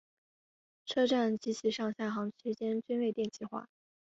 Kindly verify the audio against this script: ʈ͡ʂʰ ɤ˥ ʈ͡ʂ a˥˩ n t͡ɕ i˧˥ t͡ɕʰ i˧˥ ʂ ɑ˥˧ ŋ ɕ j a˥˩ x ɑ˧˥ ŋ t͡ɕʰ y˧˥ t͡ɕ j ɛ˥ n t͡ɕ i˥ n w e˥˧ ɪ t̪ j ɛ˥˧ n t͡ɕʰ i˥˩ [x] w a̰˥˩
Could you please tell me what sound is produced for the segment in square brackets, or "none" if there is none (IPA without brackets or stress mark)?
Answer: x